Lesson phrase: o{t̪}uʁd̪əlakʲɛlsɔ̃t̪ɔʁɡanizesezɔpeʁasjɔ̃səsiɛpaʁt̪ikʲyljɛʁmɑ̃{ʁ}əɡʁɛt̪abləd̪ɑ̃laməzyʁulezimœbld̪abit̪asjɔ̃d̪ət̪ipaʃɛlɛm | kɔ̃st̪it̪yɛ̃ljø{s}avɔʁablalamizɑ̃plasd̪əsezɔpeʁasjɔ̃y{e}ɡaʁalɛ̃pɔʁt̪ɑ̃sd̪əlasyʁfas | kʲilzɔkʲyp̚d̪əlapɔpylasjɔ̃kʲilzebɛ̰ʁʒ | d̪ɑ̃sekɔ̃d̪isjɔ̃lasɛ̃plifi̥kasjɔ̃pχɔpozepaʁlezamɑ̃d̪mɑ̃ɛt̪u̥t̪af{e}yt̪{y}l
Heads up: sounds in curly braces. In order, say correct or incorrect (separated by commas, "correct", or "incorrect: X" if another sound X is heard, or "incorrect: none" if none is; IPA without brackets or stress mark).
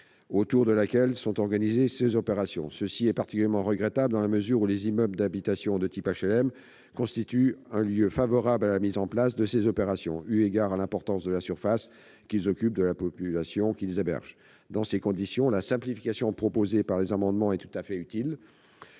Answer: correct, correct, incorrect: f, correct, incorrect: ɛ, incorrect: i